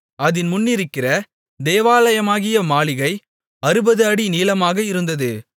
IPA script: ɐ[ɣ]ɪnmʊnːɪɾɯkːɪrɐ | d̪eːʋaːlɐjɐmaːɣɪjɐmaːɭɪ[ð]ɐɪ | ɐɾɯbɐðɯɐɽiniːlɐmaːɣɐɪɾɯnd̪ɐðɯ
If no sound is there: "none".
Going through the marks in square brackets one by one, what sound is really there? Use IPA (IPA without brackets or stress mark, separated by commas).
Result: ð, ɣ